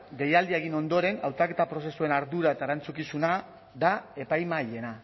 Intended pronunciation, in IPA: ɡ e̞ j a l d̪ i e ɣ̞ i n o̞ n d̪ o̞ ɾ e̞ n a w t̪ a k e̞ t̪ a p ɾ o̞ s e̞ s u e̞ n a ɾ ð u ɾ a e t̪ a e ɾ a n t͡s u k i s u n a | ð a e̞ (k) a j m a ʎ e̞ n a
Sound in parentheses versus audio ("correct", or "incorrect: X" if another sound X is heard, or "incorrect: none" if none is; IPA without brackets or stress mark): incorrect: p